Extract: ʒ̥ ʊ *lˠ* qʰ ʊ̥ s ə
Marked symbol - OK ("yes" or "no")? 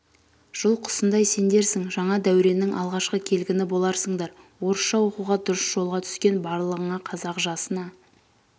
yes